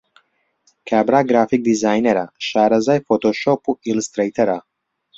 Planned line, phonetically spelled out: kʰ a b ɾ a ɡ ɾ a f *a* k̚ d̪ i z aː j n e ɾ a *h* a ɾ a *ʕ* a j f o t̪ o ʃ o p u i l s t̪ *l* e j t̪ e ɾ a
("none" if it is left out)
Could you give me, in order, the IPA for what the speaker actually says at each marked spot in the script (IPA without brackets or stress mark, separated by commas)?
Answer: i, ʃ, z, ɾ